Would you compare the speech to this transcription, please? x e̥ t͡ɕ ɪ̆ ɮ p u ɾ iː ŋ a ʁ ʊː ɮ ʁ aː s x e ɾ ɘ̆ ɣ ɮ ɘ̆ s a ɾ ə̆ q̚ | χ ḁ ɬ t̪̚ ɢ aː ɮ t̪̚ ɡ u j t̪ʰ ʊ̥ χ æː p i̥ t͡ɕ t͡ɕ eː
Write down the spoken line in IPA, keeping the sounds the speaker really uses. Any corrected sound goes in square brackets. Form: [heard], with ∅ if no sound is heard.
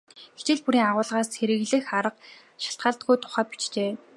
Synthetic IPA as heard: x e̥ t͡ɕ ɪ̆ ɮ p u ɾ iː ŋ a ʁ ʊː ɮ ʁ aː s x e ɾ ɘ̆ ɣ ɮ ɘ̆ [x] a ɾ ə̆ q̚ | [ʃ] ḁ ɬ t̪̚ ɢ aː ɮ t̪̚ ɡ u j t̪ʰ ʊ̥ χ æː p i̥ t͡ɕ t͡ɕ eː